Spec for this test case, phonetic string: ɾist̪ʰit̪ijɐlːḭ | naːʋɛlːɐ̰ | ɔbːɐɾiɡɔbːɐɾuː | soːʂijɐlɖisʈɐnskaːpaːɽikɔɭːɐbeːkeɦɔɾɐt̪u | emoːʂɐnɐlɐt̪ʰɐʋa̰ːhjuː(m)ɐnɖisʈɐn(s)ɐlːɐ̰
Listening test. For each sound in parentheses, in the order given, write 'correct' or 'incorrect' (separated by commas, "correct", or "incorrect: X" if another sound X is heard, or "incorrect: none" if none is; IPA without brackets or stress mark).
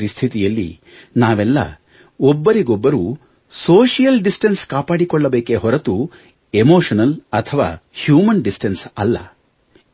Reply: correct, correct